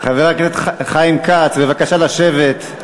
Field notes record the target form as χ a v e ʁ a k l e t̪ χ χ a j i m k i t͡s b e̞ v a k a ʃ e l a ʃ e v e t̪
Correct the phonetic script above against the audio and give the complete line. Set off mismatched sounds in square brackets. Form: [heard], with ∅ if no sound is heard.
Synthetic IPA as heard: χ a v e ʁ a k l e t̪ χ χ a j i m k [a] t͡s b e̞ v a k a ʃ [a] l a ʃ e v e t̪